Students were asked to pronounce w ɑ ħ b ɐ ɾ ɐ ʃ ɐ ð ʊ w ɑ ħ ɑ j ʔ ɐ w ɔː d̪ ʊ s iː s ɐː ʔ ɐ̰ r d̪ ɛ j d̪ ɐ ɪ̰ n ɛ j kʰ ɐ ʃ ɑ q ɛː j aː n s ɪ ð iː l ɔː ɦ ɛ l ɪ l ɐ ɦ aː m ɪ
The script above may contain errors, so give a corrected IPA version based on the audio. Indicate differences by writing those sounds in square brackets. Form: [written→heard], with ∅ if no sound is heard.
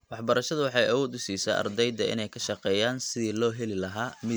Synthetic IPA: w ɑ ħ b ɐ ɾ ɐ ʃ ɐ ð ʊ w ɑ ħ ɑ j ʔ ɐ w ɔː d̪ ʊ s iː s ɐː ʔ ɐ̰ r d̪ ɛ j d̪ ɐ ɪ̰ n ɛ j kʰ ɐ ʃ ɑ q ɛː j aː n s ɪ ð iː l ɔː ɦ ɛ l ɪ l ɐ ɦ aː m ɪ